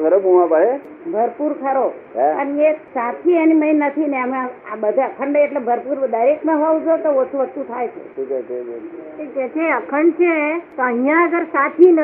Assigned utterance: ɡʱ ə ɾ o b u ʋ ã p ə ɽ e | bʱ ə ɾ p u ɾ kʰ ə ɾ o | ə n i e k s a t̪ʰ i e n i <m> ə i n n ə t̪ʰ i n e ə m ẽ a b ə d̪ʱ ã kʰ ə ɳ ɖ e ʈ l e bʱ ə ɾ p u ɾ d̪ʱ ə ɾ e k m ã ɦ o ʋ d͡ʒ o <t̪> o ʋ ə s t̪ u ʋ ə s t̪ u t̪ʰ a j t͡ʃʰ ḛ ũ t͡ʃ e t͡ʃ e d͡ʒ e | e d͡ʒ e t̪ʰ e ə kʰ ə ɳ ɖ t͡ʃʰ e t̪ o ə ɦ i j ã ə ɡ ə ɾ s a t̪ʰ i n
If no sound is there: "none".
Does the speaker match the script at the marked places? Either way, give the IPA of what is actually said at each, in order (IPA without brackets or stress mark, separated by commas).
m, t̪